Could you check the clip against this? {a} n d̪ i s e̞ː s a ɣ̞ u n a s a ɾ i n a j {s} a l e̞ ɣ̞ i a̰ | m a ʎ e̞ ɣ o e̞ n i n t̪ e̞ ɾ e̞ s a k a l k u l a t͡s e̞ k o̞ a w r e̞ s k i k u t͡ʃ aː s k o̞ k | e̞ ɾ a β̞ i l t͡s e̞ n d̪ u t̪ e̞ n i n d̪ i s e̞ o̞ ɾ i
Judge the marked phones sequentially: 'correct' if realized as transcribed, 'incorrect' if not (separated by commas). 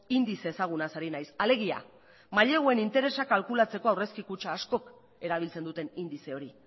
incorrect, correct